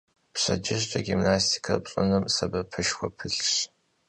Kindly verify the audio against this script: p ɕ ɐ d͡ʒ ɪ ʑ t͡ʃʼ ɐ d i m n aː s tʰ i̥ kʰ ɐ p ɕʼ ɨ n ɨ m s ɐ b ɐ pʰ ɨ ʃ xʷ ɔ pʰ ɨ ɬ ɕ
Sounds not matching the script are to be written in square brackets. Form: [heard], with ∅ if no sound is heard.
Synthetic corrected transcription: p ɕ ɐ d͡ʒ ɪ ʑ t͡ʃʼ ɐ [ɡ] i m n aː s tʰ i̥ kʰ ɐ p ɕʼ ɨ n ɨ m s ɐ b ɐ pʰ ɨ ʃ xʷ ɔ pʰ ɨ ɬ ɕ